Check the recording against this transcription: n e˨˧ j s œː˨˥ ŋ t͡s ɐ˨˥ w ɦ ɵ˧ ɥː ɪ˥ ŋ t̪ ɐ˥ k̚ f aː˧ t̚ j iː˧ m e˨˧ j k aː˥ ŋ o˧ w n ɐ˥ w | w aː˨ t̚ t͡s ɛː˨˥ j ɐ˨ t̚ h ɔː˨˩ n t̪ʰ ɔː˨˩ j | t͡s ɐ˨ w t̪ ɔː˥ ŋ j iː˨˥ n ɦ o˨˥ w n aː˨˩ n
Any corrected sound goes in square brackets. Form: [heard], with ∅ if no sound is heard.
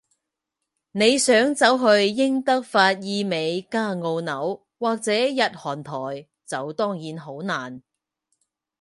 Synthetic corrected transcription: n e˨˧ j s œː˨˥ ŋ t͡s ɐ˨˥ w ɦ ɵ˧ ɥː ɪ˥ ŋ t̪ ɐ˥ k̚ f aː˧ t̚ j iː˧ m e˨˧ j k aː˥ ŋ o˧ w n [ɐ˨˥] w | w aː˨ [k̚] t͡s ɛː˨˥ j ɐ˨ t̚ h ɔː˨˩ n t̪ʰ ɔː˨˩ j | t͡s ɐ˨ w t̪ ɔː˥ ŋ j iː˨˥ n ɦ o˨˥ w n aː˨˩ n